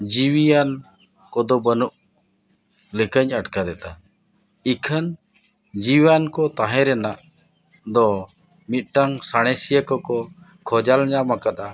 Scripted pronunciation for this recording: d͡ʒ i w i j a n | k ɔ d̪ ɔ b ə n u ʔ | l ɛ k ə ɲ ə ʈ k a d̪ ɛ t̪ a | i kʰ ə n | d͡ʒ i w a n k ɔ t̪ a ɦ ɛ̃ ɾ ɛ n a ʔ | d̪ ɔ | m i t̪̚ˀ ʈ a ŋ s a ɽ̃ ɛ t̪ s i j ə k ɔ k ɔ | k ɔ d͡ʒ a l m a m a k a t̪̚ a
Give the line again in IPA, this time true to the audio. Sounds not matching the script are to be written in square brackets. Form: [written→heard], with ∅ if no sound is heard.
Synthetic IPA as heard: d͡ʒ i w i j a n | k ɔ d̪ ɔ b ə n u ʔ | l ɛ k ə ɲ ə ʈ k a d̪ ɛ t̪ a | i kʰ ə n | d͡ʒ i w a n k ɔ t̪ a ɦ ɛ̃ ɾ ɛ n a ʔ | d̪ ɔ | m i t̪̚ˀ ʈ a ŋ s a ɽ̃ ɛ [t̪→∅] s i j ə k ɔ k ɔ | [k→kʰ] ɔ d͡ʒ a l [m→ɲ] a m a k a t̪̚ a

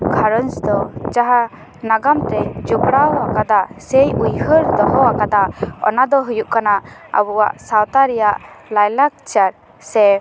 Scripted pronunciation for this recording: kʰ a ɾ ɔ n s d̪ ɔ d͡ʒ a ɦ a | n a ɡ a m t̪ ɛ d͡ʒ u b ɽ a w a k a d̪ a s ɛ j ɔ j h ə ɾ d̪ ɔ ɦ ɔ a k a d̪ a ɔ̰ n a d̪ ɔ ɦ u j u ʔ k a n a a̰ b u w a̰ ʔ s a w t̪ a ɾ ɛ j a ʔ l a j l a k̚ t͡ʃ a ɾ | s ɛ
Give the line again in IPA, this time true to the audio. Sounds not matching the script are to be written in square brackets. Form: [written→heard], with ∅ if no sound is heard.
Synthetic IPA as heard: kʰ a ɾ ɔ n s d̪ ɔ d͡ʒ a ɦ a | n a ɡ a m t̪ ɛ d͡ʒ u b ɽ a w a k a d̪ a s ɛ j [ɔ→u] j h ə ɾ d̪ ɔ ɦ ɔ a k a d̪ a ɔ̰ n a d̪ ɔ ɦ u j u ʔ k a n a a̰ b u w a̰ ʔ s a w t̪ a ɾ ɛ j a ʔ l a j l a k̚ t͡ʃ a ɾ | s ɛ

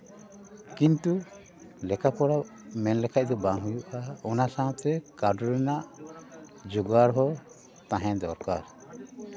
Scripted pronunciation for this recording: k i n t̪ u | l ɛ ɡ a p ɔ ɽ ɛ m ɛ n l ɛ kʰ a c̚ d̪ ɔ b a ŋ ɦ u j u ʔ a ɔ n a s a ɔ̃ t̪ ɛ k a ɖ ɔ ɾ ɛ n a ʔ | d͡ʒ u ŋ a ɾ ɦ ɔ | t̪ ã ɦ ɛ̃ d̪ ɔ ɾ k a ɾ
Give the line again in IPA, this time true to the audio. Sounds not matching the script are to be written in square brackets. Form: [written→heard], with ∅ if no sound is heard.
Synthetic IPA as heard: k i n t̪ u | l ɛ [ɡ→k] a p ɔ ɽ [ɛ→a] m ɛ n l ɛ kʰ a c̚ d̪ ɔ b a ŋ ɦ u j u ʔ a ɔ n a s a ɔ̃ t̪ ɛ k a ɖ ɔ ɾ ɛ n a ʔ | d͡ʒ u [ŋ→ɡ] a ɾ ɦ ɔ | t̪ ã ɦ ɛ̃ d̪ ɔ ɾ k a ɾ

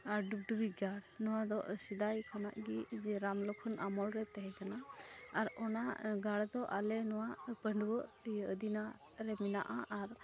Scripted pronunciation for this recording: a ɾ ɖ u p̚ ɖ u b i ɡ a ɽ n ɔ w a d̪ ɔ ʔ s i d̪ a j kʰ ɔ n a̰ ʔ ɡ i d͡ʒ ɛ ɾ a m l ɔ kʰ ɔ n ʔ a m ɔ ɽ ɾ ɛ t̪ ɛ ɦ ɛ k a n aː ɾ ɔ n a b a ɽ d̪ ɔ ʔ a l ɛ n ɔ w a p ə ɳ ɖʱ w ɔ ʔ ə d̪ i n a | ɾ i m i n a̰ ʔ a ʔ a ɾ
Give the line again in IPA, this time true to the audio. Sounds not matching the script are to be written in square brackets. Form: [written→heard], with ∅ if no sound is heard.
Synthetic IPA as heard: a ɾ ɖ u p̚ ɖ u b i ɡ a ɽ n ɔ w a d̪ ɔ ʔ s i d̪ a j kʰ ɔ n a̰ ʔ ɡ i d͡ʒ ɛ ɾ a m l ɔ kʰ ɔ n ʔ a m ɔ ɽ ɾ ɛ t̪ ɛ ɦ ɛ k a n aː ɾ ɔ n a [b→ɡ] a ɽ d̪ ɔ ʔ a l ɛ n ɔ w a p ə ɳ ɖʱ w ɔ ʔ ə d̪ i n a | ɾ [i→ɛ] m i n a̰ ʔ a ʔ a ɾ

